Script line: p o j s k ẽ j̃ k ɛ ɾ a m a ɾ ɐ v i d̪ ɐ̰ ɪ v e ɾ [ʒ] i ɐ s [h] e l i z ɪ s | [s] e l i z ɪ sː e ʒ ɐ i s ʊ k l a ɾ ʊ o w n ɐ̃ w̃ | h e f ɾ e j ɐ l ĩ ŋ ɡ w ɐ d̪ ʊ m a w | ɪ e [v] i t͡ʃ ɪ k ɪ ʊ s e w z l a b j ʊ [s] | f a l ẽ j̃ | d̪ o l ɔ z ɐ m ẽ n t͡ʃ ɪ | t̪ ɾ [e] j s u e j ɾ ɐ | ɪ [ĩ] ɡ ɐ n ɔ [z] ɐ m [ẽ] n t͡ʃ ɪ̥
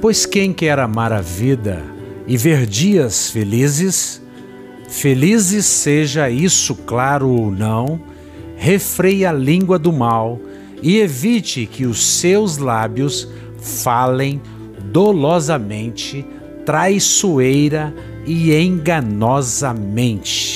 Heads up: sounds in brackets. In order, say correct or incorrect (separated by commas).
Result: incorrect, incorrect, incorrect, correct, correct, incorrect, incorrect, correct, correct